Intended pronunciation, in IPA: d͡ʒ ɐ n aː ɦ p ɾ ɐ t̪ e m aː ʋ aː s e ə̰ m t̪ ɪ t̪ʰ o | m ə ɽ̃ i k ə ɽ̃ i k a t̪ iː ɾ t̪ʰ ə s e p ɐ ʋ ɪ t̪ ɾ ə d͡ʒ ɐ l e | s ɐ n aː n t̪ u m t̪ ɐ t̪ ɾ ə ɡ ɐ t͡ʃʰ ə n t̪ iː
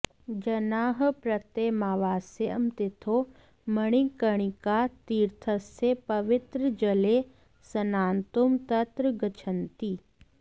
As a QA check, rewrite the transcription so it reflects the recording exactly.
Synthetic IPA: d͡ʒ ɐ n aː ɦ p ɾ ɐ t̪ e m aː ʋ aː s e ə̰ m t̪ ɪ t̪ʰ o | m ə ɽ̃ i k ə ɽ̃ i k a t̪ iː ɾ t̪ʰ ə s e p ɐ ʋ ɪ t̪ ɾ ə d͡ʒ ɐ l e | s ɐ n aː n t̪ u m t̪ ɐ t̪ ɾ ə ɡ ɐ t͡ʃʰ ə n t̪ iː